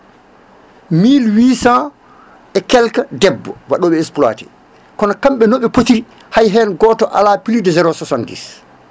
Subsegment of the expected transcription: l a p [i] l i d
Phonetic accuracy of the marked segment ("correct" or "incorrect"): correct